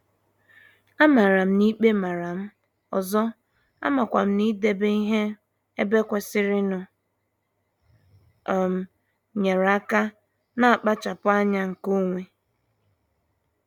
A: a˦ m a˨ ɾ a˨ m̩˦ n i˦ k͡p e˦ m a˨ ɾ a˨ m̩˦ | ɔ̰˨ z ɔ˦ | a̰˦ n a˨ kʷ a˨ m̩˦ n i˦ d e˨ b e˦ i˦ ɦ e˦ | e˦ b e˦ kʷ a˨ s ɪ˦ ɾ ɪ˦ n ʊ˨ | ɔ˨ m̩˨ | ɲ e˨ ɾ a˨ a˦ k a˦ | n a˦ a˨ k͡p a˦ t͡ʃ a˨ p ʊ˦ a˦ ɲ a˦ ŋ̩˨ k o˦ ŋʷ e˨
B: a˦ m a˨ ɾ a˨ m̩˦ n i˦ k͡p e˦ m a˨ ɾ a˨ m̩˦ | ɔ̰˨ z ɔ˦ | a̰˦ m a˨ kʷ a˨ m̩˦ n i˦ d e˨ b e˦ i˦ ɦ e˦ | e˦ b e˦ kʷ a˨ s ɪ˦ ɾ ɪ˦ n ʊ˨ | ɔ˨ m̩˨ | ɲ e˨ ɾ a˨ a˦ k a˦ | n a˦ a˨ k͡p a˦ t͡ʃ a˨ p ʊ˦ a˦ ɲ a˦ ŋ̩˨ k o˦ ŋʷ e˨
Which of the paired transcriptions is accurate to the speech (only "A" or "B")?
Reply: B